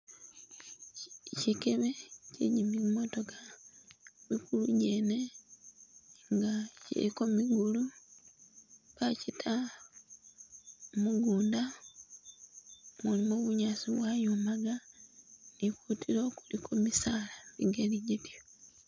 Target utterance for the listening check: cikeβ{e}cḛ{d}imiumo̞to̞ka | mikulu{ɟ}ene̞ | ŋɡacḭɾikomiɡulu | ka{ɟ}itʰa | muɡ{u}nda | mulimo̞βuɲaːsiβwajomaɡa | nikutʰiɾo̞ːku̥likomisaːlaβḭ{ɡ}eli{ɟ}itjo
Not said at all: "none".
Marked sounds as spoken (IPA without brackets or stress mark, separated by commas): e, ɟ, ɟ, c, uː, ɡ, ɟ